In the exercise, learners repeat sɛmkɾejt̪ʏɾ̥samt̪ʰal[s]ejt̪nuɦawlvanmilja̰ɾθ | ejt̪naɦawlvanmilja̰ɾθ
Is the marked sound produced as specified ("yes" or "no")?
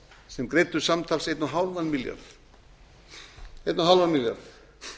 yes